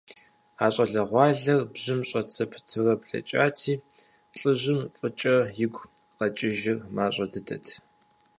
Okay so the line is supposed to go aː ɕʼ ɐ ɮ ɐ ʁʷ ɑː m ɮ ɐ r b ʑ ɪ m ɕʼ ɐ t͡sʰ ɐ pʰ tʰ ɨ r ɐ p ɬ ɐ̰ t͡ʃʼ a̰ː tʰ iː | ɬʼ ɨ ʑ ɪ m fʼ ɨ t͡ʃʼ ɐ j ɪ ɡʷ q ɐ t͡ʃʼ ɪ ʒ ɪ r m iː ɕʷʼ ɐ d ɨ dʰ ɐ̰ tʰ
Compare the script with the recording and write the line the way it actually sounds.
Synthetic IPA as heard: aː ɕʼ ɐ ɮ ɐ ʁʷ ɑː ɮ ɐ r b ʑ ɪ m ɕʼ ɐ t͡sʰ ɐ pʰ tʰ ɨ r ɐ p ɬ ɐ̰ t͡ʃʼ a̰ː tʰ iː | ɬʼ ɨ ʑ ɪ m fʼ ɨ t͡ʃʼ ɐ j ɪ ɡʷ q ɐ t͡ʃʼ ɪ ʒ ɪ r m aː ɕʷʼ ɐ d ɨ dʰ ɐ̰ tʰ